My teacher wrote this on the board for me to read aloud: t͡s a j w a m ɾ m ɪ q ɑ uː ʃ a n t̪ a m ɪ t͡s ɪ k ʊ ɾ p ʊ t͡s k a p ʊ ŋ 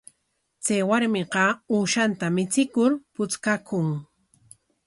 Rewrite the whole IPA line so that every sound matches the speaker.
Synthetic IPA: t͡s a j w a ɾ m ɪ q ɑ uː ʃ a n t̪ a m ɪ t͡s ɪ k ʊ ɾ p ʊ t͡s k a k ʊ ŋ